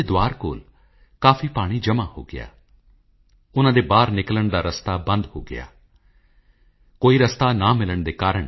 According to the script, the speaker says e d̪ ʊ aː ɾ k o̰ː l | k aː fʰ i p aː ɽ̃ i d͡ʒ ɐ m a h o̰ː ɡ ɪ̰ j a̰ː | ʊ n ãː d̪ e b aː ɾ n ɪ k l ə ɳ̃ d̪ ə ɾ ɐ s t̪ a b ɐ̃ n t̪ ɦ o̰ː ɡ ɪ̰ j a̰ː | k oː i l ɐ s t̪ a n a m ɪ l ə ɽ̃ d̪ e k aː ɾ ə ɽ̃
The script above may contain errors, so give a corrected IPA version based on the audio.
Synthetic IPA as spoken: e d̪ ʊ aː ɾ k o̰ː l | k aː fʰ i p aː ɽ̃ i d͡ʒ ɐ m a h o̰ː ɡ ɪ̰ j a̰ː | ʊ n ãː d̪ e b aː ɾ n ɪ k l ə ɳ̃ d̪ a ɾ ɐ s t̪ a b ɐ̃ n d̪ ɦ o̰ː ɡ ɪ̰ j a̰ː | k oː i ɾ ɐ s t̪ a n a m ɪ l ə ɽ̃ d̪ e k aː ɾ ə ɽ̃